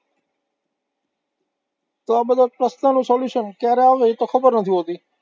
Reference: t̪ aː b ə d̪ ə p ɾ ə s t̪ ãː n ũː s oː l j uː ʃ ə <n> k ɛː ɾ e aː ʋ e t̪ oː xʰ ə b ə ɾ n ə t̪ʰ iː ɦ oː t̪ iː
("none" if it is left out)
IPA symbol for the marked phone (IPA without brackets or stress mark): n